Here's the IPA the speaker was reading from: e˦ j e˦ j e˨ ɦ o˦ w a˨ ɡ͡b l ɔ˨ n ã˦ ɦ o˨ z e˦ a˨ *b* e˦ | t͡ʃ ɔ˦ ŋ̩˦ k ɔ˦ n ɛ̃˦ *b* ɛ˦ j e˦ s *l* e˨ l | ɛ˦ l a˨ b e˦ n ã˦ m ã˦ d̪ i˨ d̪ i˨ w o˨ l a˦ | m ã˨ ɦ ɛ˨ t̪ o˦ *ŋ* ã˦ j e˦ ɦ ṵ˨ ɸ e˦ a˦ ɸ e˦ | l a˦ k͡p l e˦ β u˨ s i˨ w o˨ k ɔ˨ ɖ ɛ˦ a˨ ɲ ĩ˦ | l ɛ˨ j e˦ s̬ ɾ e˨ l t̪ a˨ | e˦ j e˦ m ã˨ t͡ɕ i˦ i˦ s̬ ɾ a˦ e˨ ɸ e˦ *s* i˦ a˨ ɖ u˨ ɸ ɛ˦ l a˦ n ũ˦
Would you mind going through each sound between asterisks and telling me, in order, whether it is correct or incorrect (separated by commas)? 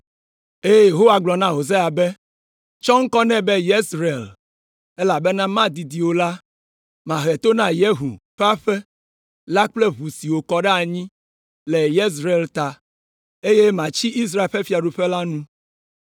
correct, correct, incorrect, incorrect, incorrect